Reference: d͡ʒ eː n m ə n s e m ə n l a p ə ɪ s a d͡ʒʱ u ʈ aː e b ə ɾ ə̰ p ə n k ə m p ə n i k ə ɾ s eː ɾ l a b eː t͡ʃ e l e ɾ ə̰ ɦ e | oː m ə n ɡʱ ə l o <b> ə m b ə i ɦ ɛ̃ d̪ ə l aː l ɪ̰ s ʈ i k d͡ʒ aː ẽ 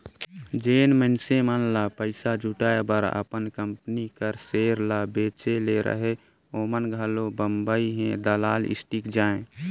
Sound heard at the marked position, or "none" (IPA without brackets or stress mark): b